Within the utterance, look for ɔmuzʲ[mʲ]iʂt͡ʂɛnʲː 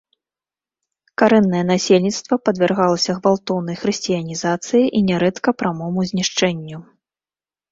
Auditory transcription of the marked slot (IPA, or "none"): nʲ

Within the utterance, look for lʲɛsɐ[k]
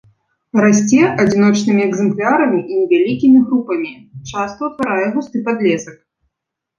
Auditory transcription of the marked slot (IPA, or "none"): k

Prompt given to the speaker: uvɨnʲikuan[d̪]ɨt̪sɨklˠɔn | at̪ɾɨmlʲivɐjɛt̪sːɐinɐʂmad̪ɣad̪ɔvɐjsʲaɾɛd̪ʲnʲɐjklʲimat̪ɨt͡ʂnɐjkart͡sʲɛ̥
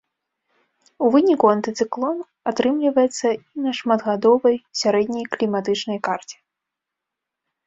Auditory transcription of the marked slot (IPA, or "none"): t̪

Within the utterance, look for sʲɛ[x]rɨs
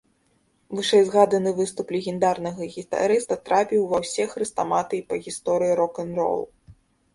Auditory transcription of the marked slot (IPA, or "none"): x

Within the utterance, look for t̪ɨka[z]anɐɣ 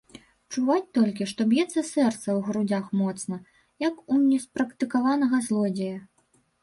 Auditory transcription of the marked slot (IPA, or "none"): v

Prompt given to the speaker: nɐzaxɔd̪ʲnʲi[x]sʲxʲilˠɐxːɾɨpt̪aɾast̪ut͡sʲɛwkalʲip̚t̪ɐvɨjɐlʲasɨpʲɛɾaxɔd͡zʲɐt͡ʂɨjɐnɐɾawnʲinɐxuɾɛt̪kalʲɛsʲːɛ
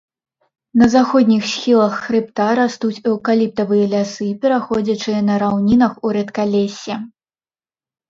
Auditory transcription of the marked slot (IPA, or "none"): x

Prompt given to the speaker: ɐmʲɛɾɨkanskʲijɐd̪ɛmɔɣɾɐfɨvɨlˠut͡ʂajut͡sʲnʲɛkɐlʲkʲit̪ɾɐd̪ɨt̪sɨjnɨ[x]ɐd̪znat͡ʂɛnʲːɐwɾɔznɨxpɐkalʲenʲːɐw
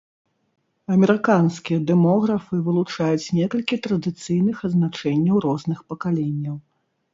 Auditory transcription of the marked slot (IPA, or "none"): x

